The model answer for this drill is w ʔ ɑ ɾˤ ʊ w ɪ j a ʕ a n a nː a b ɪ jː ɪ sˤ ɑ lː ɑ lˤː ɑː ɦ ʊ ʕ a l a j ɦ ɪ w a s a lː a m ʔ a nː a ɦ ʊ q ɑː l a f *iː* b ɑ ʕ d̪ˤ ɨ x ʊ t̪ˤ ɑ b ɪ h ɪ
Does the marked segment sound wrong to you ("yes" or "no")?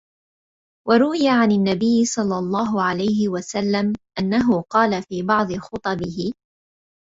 no